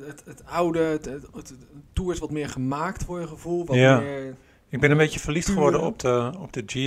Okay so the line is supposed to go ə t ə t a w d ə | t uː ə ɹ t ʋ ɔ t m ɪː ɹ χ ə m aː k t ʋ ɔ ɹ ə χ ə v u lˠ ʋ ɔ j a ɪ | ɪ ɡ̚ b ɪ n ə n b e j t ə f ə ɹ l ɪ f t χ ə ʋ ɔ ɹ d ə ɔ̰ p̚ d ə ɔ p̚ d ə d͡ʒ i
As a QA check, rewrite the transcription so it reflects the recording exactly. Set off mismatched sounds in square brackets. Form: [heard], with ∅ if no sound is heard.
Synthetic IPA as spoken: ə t ə t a w d ə | t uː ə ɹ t ʋ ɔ t m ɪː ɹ χ ə m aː k t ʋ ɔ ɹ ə χ ə v u lˠ ʋ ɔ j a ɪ | ɪ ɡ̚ b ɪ n ə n b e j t ə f ə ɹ l [i] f t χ ə ʋ ɔ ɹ d ə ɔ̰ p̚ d ə ɔ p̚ d ə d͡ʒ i